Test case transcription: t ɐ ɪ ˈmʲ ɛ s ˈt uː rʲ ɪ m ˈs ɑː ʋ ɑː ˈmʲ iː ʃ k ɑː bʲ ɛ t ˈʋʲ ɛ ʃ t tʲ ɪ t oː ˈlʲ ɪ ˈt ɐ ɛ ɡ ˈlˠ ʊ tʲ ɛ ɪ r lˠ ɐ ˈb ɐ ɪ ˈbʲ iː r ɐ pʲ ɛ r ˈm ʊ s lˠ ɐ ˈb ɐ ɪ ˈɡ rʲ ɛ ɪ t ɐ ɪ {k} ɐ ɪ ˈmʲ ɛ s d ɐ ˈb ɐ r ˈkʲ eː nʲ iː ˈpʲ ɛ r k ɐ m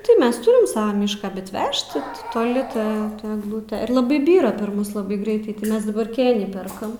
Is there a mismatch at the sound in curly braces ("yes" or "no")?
yes